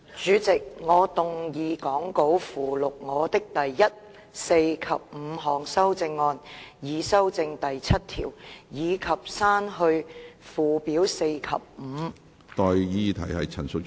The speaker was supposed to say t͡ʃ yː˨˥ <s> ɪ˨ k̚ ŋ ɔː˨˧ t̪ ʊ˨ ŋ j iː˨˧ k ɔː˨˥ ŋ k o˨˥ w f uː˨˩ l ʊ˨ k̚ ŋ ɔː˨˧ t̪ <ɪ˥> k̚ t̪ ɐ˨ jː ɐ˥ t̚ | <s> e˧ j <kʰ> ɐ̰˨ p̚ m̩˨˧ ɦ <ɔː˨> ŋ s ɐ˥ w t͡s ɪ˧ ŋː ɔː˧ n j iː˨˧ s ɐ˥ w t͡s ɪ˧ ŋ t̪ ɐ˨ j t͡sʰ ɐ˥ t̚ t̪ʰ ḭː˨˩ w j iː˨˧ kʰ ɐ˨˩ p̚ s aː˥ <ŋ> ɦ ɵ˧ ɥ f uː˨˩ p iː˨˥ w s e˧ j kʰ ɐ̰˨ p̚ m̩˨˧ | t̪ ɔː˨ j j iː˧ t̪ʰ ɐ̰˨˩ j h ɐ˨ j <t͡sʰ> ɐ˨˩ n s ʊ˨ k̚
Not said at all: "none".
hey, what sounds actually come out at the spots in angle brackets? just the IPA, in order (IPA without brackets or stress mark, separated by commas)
t͡s, ɪ˥, s, kʰ, ɔː˨, n, t͡sʰ